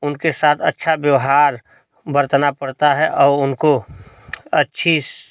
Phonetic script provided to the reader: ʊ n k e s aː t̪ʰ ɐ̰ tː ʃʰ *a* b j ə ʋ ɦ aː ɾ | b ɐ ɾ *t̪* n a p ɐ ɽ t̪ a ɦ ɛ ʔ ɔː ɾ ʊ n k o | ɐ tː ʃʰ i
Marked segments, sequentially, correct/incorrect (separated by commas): correct, correct